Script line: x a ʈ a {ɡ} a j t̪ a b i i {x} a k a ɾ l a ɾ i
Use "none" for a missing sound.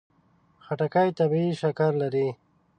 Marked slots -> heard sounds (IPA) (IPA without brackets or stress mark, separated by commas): k, ʃ